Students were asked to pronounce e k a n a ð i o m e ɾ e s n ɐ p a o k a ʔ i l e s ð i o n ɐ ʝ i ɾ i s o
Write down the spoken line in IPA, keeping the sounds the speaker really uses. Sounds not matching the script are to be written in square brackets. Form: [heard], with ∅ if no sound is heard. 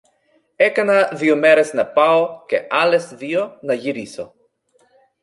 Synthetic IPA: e k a n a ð i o m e ɾ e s n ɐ p a o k [e] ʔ [a] l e s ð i o n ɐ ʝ i ɾ i s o